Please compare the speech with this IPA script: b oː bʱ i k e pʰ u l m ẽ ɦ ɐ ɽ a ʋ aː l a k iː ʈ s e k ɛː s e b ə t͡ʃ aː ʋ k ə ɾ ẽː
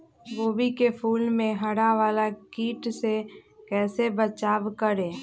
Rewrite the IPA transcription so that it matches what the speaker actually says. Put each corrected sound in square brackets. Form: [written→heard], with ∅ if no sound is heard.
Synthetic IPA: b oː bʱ i k e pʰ [u→uː] l m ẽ ɦ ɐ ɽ a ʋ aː l a k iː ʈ s e k ɛː s e b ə t͡ʃ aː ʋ k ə ɾ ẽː